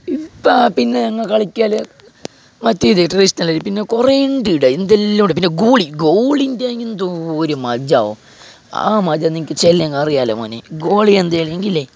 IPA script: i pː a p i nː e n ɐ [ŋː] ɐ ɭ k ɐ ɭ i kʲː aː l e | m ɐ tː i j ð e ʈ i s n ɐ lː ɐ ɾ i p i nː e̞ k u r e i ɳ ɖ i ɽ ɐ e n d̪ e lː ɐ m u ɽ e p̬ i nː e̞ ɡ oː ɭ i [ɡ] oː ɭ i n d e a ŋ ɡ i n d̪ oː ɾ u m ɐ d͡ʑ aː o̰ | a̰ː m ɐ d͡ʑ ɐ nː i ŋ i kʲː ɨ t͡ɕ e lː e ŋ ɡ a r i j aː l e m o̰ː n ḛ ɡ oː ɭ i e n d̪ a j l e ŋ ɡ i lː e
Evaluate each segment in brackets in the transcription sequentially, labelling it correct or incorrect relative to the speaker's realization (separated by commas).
correct, correct